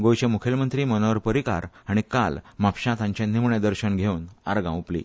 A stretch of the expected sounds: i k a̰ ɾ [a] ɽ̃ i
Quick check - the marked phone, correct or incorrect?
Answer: correct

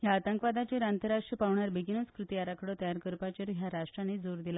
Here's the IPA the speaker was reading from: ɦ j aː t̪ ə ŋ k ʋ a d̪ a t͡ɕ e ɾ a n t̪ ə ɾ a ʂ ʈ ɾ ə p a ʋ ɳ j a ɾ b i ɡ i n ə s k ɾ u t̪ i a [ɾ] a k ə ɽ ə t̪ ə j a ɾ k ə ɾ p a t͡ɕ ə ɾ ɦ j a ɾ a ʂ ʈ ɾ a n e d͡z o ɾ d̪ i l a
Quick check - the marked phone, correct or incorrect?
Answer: correct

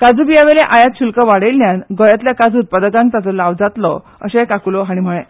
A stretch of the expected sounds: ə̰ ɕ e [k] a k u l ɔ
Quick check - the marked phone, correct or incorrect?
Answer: correct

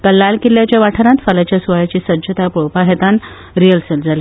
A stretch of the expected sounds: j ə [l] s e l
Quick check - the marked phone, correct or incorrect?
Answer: correct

